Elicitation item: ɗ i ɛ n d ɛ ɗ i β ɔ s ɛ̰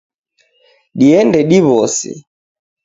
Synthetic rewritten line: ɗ i ɛ n d ɛ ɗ i β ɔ s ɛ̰